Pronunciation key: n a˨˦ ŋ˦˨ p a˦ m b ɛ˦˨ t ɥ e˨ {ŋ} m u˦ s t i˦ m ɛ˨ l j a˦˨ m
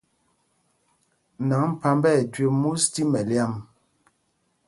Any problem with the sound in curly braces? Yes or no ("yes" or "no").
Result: yes